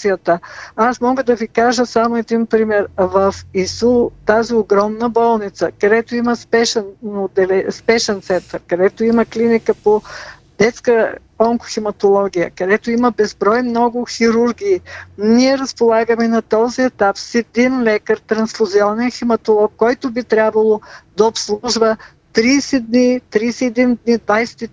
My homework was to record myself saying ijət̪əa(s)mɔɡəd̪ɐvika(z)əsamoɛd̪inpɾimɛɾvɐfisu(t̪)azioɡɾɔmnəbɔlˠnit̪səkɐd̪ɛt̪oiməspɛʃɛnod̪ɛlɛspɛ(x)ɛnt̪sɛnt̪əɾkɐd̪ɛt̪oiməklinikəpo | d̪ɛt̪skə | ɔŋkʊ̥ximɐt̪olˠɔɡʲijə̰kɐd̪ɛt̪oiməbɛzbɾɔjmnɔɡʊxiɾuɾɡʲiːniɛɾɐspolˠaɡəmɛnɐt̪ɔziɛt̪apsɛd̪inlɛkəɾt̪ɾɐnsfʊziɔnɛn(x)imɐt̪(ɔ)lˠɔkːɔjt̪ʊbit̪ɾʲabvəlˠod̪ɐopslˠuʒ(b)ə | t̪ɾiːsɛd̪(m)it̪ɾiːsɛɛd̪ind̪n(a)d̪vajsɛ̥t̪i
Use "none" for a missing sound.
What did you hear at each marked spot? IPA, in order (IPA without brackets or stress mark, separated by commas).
s, ʒ, t̪, ʃ, x, o, v, n, i